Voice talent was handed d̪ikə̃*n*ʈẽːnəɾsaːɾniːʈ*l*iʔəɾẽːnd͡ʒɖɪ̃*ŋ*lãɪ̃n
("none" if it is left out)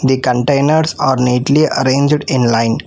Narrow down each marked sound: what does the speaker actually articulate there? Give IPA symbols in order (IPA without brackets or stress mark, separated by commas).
ɳ, l, n